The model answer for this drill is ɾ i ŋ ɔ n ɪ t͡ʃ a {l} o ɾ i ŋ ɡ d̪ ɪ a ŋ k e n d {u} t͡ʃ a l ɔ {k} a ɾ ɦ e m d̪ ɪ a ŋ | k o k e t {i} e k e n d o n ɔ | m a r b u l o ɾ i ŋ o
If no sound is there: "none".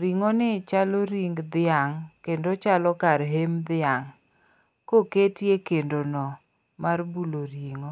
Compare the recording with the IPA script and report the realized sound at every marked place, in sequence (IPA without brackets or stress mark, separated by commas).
l, o, k, j